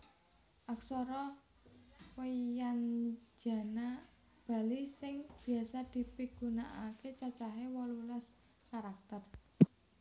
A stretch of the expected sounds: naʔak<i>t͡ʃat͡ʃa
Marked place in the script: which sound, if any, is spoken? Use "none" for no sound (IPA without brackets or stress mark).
e